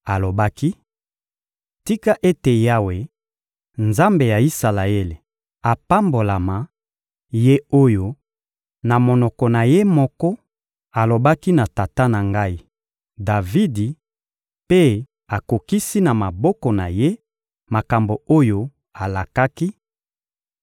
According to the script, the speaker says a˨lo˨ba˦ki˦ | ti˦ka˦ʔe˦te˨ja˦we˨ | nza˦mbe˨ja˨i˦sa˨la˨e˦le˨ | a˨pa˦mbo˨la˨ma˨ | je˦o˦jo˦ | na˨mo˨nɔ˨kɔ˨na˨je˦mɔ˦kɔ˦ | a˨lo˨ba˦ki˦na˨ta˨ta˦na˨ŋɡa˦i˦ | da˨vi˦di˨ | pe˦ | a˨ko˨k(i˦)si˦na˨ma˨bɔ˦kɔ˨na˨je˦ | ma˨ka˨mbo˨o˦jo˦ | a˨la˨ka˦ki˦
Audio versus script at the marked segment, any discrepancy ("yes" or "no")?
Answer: no